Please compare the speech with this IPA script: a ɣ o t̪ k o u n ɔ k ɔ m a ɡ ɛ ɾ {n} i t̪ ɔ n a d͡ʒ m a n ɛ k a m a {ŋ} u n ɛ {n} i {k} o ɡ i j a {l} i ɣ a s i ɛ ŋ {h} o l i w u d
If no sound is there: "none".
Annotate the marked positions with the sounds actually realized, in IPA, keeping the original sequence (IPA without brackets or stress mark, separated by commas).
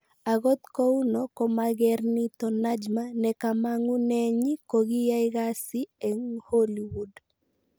n, ŋ, ɲ, k, none, h